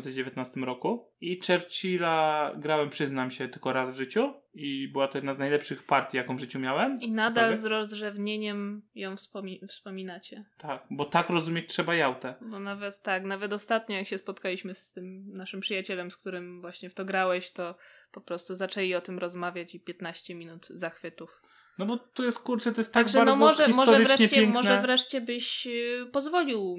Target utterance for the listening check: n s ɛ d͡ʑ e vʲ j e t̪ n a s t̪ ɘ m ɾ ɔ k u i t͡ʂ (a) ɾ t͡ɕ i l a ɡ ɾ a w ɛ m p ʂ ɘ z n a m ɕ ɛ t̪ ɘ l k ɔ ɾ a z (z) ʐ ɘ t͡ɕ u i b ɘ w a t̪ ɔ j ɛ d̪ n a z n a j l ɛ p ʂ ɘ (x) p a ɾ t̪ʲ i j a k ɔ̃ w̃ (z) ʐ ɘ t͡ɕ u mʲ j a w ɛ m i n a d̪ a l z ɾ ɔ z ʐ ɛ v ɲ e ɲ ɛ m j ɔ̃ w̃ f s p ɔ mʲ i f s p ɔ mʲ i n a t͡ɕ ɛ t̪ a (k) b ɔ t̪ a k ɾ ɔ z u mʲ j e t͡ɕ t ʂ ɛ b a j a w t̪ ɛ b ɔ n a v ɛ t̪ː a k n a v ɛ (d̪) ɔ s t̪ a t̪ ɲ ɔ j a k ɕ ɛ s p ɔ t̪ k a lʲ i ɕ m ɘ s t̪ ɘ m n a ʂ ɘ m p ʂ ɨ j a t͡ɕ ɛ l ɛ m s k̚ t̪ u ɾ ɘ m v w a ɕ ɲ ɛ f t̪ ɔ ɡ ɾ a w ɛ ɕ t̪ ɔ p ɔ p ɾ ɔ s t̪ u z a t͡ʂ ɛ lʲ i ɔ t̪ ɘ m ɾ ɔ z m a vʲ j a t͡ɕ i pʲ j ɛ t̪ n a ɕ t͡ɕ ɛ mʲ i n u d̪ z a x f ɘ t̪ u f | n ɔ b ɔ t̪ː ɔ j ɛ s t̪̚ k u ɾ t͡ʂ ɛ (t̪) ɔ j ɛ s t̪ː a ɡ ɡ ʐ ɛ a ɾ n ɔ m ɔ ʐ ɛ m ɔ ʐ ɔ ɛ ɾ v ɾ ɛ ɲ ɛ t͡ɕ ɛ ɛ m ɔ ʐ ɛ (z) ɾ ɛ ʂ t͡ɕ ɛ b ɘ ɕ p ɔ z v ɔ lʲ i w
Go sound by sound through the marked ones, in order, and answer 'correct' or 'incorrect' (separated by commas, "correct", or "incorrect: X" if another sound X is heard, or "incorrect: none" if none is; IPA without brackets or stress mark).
incorrect: ɛ, incorrect: v, correct, incorrect: v, correct, incorrect: t̪, correct, incorrect: v